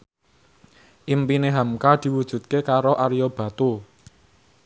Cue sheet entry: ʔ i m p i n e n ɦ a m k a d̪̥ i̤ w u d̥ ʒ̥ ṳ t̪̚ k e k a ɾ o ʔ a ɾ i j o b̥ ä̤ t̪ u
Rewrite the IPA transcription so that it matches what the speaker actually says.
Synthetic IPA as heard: ʔ i m p i n e ɦ a m k a d̪̥ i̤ w u d̥ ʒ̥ ṳ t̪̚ k e k a ɾ o ʔ a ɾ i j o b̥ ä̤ t̪ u